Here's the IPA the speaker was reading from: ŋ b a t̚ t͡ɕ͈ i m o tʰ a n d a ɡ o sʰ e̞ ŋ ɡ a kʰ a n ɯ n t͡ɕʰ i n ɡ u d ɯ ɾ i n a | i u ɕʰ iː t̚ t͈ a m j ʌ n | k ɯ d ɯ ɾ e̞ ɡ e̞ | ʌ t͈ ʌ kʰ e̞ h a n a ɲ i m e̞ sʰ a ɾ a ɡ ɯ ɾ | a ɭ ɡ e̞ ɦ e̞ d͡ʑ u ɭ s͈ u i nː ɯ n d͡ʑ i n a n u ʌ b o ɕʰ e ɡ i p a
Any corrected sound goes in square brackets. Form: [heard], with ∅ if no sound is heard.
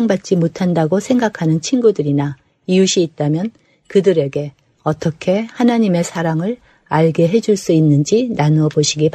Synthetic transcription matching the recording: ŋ b a t̚ t͡ɕ͈ i m o tʰ a n d a ɡ o sʰ e̞ ŋ ɡ a kʰ a n ɯ n t͡ɕʰ i n ɡ u d ɯ ɾ i n a | i u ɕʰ iː t̚ t͈ a m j ʌ n | k ɯ d ɯ ɾ e̞ ɡ e̞ | ʌ t͈ ʌ kʰ e̞ h a n a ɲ i m e̞ sʰ a ɾ a [ŋ] ɯ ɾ | a ɭ ɡ e̞ ɦ e̞ d͡ʑ u ɭ s͈ u i nː ɯ n d͡ʑ i n a n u ʌ b o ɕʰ [i] ɡ i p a